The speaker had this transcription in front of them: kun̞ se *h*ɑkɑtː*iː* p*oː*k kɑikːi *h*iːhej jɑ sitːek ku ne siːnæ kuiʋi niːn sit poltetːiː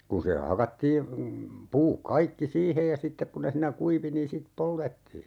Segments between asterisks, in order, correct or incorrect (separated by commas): correct, correct, incorrect, incorrect